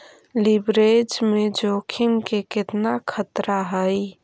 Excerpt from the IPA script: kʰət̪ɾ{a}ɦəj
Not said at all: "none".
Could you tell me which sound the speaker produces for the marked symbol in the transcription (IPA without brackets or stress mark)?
a